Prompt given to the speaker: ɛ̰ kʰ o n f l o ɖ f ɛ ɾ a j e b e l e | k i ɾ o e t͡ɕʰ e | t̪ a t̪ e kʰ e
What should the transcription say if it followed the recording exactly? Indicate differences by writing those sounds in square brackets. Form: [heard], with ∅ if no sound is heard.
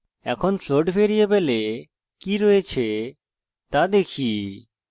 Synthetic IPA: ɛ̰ kʰ o n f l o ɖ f [e] ɾ [i] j e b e l e | k i ɾ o e t͡ɕʰ e | t̪ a [d̪] e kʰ [i]

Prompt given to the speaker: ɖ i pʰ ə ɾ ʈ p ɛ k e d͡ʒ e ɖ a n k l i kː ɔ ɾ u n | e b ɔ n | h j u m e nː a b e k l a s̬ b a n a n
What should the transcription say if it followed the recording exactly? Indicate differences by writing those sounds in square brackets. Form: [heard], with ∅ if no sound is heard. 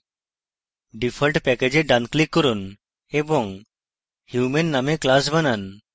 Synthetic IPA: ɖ i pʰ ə [l] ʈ p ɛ k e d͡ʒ e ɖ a n k l i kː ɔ ɾ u n | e b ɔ [ŋ] | h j u m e nː a [m] e k l a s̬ b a n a n

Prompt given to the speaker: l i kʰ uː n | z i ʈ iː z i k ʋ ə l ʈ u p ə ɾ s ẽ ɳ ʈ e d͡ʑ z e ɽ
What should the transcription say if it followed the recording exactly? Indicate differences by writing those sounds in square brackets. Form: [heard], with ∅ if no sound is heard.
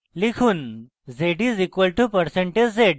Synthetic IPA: l i kʰ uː n | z [e] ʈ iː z i k ʋ ə l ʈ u p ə ɾ s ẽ ɳ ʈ e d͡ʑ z e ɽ

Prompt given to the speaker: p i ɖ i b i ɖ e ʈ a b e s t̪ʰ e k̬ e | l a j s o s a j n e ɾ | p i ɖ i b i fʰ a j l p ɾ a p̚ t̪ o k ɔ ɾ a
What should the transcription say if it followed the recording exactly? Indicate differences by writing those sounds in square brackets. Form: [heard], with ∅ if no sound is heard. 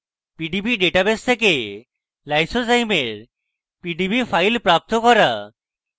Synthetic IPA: p i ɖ i b i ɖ e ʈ a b e s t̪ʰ e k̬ e | l a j s o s a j [m] e ɾ | p i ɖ i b i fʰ a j l p ɾ a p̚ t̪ o k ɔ ɾ a

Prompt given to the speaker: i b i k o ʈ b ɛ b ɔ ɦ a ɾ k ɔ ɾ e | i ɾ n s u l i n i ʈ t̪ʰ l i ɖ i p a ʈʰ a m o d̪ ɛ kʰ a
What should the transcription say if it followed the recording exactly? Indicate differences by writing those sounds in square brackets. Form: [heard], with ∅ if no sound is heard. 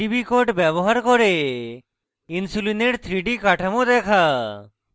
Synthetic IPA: i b i k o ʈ b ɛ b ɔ ɦ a ɾ k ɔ ɾ e | i [∅] n s u l i n [e] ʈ t̪ʰ [ɾ] i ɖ i [k] a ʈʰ a m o d̪ ɛ kʰ a

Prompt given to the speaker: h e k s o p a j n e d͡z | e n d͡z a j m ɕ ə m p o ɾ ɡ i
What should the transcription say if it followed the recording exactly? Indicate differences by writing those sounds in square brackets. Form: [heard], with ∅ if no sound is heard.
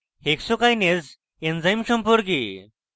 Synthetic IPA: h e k s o [k] a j n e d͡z | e n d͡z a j m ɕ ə m p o ɾ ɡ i

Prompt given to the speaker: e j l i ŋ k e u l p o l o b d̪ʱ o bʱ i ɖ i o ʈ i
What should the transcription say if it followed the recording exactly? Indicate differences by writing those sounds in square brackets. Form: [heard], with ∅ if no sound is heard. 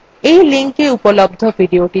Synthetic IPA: e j l i ŋ k e u [∅] p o l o b d̪ʱ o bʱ i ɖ i o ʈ i

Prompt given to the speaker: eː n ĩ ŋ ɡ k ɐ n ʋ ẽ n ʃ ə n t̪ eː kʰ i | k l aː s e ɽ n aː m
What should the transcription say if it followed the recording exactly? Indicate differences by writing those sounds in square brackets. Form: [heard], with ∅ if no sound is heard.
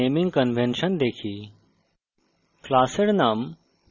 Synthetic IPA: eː [m] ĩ ŋ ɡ k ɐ n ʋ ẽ n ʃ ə n [d̪] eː kʰ i | k l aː s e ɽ n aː m

